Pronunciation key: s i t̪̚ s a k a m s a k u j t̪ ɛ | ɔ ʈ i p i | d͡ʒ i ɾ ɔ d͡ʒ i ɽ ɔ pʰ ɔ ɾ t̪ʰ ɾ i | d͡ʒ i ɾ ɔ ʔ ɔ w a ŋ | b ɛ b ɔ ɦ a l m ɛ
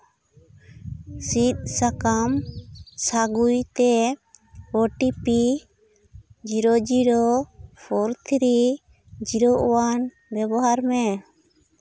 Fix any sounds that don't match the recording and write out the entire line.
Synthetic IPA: s i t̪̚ s a k a m s a ɡ u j t̪ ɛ | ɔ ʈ i p i | d͡ʒ i ɾ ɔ d͡ʒ i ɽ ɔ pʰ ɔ ɾ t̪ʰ ɾ i | d͡ʒ i ɾ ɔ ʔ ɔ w a n | b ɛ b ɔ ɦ a ɾ m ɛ